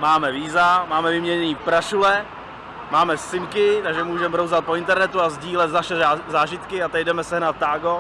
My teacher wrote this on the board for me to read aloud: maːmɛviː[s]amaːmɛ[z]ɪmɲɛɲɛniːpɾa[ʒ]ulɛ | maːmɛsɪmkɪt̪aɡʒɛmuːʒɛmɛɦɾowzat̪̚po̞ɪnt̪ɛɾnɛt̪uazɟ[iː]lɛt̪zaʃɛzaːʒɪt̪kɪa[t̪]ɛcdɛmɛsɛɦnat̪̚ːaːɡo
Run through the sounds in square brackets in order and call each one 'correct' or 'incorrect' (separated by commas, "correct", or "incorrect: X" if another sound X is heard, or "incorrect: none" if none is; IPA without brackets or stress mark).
incorrect: z, incorrect: v, incorrect: ʃ, correct, correct